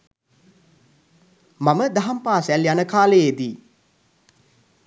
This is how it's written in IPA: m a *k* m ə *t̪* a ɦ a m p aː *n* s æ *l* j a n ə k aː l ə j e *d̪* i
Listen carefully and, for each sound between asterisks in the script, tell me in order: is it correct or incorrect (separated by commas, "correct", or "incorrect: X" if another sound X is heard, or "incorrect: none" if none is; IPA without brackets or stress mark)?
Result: incorrect: none, incorrect: d̪, incorrect: none, correct, correct